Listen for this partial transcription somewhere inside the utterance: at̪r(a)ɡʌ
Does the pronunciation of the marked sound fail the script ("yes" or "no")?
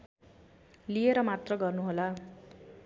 yes